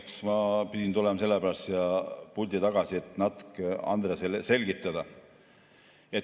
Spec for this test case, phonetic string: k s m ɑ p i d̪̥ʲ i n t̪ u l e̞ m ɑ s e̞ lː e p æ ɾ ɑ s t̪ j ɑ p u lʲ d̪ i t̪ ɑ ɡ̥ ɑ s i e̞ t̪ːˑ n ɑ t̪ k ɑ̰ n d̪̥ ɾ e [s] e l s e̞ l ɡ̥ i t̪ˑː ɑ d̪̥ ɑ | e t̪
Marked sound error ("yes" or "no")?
no